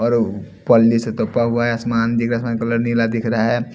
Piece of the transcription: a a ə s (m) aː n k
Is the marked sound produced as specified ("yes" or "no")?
yes